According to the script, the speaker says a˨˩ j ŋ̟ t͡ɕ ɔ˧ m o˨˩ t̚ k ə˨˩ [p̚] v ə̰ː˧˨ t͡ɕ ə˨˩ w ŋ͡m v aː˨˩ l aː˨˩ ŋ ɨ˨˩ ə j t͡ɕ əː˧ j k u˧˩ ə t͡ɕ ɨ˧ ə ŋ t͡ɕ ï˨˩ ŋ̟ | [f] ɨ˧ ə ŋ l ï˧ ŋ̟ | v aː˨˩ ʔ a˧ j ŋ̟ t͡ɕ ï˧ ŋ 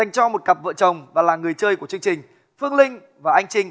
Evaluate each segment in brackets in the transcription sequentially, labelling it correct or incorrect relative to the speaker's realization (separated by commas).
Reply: correct, correct